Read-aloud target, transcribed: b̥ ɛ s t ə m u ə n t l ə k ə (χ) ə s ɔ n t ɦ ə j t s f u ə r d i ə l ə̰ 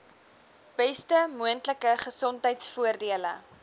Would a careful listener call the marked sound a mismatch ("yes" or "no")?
no